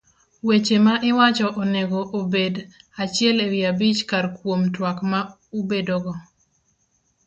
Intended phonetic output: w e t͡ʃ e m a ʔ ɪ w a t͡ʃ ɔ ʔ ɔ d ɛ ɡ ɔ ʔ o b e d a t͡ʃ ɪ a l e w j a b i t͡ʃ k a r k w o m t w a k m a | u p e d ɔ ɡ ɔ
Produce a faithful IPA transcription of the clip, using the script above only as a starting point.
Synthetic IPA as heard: w e t͡ʃ e m a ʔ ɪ w a t͡ʃ ɔ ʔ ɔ n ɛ ɡ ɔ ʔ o b e d a t͡ʃ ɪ ɛ l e w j a b i t͡ʃ k a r k w o m t w a k m a | u b e d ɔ ɡ ɔ